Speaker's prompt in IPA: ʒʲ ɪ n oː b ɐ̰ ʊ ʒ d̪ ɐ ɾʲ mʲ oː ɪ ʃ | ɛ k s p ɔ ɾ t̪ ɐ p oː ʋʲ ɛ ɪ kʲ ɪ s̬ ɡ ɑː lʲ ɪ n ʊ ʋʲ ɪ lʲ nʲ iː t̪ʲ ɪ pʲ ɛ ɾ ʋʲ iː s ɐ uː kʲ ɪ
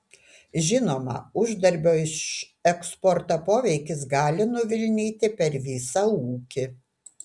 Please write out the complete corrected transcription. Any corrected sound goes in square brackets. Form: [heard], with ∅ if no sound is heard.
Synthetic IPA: ʒʲ ɪ n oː [m] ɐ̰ ʊ ʒ d̪ ɐ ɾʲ [bʲ] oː ɪ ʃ | ɛ k s p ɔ ɾ t̪ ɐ p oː ʋʲ ɛ ɪ kʲ ɪ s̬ ɡ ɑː lʲ ɪ n ʊ ʋʲ ɪ lʲ nʲ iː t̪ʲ ɪ pʲ ɛ ɾ ʋʲ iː s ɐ uː kʲ ɪ